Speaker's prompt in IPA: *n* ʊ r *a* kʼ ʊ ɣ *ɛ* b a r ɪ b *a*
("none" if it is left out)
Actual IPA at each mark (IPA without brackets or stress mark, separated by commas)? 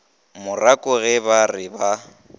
m, a, ɛ, a